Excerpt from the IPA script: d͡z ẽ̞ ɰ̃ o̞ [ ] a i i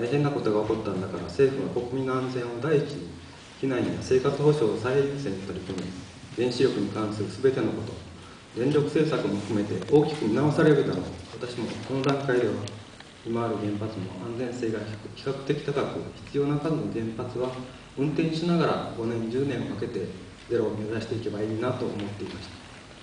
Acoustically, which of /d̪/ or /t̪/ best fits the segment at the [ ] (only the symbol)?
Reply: d̪